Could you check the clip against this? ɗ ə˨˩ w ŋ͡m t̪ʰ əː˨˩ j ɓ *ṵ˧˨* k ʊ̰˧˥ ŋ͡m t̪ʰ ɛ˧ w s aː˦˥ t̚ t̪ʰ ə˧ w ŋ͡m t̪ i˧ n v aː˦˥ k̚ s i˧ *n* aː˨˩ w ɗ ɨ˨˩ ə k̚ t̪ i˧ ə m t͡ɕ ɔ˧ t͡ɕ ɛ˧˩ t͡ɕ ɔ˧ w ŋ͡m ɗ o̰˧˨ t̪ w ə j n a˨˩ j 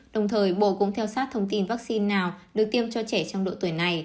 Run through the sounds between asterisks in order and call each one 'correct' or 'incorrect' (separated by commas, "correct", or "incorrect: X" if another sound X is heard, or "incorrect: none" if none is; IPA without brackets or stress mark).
incorrect: o̰˧˨, incorrect: nː